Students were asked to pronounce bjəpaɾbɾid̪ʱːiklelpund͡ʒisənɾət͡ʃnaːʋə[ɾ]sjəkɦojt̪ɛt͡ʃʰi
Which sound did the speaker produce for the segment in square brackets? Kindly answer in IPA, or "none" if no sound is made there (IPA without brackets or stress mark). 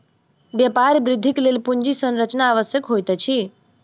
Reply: none